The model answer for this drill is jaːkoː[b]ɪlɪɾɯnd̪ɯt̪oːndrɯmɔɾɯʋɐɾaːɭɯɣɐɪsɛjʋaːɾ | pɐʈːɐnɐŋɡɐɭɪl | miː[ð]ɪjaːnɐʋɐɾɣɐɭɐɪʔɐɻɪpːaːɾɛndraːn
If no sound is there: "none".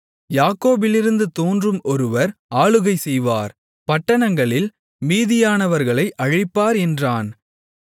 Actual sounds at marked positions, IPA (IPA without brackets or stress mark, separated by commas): b, ð